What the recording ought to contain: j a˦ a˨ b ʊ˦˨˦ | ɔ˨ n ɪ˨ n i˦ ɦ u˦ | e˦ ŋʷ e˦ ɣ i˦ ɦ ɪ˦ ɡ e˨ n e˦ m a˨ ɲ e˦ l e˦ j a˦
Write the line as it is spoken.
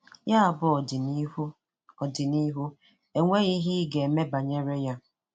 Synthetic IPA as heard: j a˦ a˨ b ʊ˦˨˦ | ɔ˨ d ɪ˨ n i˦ ɦ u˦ | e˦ ŋʷ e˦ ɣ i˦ ɦ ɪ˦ ɡ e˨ m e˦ b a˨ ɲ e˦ ɾ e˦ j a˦